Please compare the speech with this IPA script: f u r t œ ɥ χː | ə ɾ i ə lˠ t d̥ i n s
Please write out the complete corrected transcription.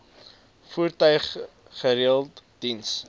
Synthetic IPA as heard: f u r t œ ɥ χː | ə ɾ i ə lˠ t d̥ i n s